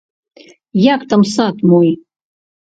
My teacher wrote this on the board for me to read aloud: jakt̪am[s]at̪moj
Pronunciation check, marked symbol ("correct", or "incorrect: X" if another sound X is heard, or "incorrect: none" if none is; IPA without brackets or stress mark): correct